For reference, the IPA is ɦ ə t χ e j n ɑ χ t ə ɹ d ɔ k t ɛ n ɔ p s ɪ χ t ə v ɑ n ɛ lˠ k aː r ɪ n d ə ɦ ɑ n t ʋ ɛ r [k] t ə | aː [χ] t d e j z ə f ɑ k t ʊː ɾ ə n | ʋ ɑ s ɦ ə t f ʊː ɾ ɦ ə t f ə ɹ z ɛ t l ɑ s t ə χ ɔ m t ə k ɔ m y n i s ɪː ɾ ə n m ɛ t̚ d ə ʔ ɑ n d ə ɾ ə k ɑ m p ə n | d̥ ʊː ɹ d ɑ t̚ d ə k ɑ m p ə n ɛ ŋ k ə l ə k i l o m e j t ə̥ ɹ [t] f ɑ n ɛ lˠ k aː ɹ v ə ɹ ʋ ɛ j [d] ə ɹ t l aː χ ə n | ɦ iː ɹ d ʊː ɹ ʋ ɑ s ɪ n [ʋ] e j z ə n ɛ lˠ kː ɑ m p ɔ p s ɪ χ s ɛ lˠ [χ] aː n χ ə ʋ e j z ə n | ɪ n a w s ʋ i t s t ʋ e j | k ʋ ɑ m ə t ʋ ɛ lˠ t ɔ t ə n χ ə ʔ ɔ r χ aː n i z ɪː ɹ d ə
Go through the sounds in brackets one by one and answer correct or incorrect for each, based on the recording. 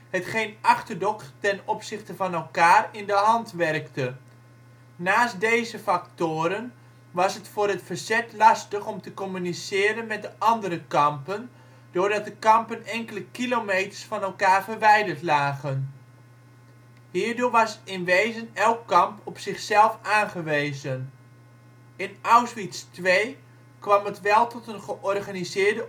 correct, incorrect: s, incorrect: s, correct, correct, incorrect: f

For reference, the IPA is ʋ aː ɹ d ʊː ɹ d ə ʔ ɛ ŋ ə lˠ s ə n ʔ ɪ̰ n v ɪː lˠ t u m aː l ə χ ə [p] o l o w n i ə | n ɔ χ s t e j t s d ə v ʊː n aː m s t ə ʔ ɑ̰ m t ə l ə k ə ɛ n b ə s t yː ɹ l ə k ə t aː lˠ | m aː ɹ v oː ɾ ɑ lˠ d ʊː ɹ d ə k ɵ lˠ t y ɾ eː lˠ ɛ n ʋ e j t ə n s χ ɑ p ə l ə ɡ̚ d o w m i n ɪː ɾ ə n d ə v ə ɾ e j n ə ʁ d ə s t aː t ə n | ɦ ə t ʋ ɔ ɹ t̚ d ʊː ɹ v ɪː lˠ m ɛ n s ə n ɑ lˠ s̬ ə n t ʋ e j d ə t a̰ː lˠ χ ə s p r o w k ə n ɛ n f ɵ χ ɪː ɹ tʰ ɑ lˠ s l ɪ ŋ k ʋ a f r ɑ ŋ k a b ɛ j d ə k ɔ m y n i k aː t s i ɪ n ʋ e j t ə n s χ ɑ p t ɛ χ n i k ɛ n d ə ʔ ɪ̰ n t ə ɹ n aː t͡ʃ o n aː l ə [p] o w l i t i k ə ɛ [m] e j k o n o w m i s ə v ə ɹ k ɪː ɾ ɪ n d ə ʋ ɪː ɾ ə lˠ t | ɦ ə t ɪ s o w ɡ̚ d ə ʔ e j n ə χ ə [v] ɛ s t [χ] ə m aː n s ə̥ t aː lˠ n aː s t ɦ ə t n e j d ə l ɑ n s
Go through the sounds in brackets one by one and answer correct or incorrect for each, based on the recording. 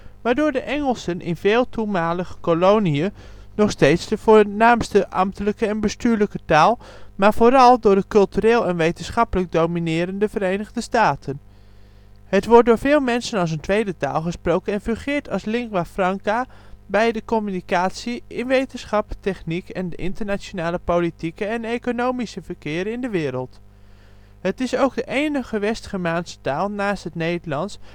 incorrect: k, correct, incorrect: n, incorrect: ʋ, correct

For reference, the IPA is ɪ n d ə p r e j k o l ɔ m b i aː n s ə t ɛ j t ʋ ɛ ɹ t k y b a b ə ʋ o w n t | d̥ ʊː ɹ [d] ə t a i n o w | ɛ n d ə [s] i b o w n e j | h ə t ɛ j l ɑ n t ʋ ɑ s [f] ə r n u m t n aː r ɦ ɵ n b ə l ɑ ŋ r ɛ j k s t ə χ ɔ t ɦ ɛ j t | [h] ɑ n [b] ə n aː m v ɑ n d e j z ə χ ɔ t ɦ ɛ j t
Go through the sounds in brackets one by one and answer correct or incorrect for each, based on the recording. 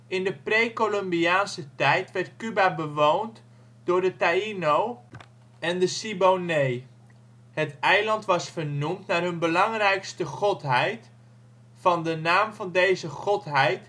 correct, correct, correct, incorrect: f, incorrect: d

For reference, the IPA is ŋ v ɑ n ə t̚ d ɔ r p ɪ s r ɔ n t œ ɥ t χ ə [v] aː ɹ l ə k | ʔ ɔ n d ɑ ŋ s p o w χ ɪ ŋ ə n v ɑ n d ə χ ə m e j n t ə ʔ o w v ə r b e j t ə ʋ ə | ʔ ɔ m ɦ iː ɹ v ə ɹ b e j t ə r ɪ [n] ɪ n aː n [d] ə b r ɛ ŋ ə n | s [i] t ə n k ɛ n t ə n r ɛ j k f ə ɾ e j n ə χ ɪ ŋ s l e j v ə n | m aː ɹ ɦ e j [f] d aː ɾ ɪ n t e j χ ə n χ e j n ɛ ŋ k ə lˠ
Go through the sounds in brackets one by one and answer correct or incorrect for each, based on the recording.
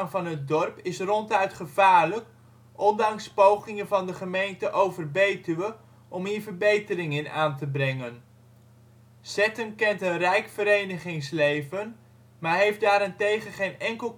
correct, incorrect: ŋ, incorrect: t, incorrect: ɛ, correct

